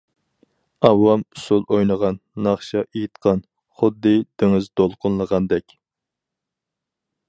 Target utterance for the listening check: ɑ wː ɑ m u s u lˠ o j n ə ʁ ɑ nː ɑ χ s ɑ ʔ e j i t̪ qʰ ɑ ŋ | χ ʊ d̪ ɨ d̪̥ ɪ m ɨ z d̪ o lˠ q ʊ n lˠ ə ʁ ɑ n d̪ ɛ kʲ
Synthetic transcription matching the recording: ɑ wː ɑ m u s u lˠ o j n ə ʁ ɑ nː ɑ χ ʃ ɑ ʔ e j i t̪ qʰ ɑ n | χ ʊ d̪ː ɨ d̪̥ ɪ ŋ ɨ z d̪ o lˠ q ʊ n lˠ ə ʁ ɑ n d̪ ɛ kʲ